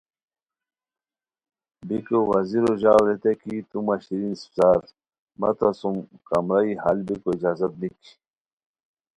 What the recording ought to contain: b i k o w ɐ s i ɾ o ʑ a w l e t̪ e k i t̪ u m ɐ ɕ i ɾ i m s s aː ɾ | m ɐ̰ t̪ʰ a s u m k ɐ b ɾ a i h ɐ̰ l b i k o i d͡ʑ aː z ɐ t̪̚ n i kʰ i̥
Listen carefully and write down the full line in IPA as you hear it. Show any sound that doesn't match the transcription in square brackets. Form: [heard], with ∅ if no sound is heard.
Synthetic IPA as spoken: b i k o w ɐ [z] i ɾ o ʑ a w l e t̪ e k i t̪ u m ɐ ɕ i ɾ i [n] s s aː ɾ | m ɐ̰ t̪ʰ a s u m k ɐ [m] ɾ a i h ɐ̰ l b i k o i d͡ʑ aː z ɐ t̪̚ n i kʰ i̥